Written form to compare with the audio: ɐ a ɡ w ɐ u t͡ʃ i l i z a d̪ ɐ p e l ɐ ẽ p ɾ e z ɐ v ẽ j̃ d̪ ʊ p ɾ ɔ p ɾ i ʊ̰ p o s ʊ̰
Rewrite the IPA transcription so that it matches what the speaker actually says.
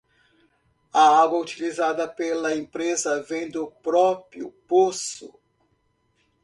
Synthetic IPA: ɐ a ɡ w ɐ u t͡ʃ i l i z a d̪ ɐ p e l ɐ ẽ p ɾ e z ɐ v ẽ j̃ d̪ ʊ p ɾ ɔ p ɾ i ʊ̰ p o s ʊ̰